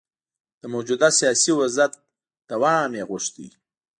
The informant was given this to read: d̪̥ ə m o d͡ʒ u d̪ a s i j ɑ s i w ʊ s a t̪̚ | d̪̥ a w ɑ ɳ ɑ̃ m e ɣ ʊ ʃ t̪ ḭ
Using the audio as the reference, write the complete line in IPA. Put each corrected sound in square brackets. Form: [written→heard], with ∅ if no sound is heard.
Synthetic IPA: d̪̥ ə m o d͡ʒ u d̪ a s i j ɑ s i w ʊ [s→z] a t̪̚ | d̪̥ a w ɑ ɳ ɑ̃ m e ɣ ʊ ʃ t̪ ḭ